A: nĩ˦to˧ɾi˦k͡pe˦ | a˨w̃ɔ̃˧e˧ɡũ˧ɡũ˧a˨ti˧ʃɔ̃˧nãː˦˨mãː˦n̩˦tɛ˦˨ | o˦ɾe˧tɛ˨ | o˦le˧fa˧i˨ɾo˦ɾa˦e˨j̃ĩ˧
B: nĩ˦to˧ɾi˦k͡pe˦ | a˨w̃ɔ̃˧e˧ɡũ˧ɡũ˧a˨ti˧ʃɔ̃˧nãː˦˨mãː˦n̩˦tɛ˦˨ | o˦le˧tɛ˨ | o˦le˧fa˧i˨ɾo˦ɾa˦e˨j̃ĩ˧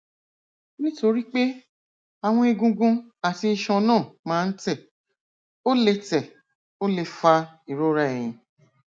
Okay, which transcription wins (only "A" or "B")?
B